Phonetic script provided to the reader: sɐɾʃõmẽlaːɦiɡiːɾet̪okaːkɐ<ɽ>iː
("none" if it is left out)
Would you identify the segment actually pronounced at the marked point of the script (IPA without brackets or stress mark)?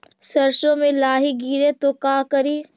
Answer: ɾ